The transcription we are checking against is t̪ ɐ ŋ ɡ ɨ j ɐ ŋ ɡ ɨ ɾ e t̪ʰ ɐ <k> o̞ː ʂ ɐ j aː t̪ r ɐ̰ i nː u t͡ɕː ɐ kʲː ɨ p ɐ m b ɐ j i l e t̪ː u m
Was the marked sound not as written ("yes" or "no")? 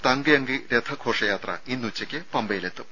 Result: yes